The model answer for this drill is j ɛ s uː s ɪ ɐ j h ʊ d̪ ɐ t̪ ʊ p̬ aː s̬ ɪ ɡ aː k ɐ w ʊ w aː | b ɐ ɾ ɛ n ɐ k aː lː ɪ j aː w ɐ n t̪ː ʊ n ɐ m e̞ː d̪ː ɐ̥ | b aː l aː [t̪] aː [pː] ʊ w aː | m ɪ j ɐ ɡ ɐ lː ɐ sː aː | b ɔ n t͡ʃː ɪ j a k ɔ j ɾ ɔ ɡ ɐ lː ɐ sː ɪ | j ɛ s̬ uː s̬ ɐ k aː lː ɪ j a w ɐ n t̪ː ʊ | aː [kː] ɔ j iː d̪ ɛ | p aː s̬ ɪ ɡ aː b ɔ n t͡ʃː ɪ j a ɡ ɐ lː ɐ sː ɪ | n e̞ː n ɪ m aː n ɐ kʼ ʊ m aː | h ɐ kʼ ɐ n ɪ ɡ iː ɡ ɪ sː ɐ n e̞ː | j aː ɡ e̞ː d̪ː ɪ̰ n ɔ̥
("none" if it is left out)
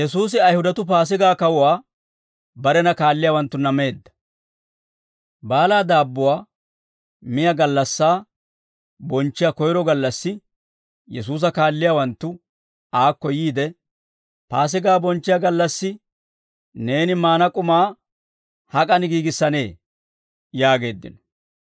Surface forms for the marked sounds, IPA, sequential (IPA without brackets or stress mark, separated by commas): d̪, bː, kː